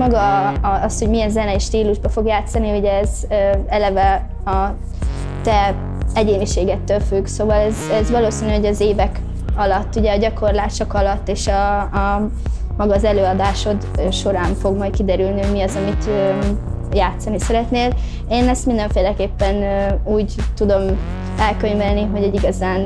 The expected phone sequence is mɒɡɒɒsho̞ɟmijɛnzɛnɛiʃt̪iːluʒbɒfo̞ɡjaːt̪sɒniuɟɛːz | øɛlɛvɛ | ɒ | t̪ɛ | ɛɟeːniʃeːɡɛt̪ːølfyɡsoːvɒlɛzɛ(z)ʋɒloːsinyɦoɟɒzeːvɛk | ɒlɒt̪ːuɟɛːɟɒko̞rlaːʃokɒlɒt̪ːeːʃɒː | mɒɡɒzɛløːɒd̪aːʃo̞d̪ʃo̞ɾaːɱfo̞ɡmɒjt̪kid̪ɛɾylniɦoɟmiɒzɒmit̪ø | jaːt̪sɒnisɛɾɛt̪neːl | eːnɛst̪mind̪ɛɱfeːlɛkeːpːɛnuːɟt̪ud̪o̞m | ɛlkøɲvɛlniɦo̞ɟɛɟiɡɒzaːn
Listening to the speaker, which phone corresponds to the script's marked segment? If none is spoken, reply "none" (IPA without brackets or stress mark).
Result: z